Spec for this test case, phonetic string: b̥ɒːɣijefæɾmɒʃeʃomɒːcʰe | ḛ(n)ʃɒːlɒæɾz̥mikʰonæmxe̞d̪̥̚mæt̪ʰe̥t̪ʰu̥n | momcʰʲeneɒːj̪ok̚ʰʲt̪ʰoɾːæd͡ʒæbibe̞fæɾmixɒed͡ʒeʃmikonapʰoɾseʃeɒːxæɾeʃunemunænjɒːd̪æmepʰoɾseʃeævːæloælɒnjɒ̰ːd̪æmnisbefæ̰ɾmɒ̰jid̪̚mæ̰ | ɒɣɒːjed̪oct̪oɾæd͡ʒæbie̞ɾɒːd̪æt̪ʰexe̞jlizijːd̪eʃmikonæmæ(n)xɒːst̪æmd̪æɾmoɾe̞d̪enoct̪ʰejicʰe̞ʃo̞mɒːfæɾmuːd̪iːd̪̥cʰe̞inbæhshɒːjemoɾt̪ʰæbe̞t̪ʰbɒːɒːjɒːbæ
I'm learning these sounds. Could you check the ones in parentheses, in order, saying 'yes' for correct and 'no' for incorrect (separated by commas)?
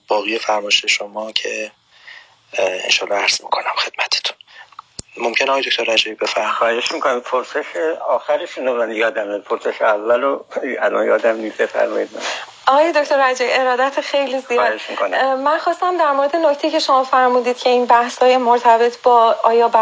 yes, yes